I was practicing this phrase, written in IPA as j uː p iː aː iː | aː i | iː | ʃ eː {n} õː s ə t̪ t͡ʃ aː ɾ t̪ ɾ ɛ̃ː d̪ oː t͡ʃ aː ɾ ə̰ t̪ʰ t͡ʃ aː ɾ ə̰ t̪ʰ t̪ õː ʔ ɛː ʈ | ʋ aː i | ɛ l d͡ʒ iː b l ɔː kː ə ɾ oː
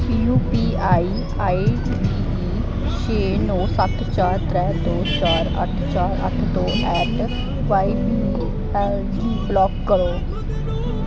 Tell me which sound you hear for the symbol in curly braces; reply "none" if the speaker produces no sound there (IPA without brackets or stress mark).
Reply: n